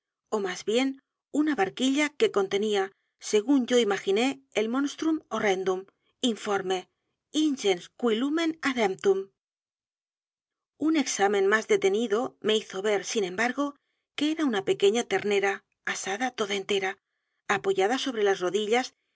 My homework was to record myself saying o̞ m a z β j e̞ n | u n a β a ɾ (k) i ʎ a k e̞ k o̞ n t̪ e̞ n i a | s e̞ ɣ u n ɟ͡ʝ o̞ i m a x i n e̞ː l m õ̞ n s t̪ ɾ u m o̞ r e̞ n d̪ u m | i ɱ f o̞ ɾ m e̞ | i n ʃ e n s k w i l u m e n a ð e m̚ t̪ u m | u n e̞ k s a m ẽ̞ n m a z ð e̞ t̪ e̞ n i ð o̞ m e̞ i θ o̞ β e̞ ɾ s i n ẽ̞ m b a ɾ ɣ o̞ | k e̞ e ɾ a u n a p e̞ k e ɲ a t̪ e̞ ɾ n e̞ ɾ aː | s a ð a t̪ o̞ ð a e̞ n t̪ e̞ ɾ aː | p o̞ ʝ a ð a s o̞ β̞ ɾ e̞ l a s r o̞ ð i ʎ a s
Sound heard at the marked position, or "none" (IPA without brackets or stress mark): k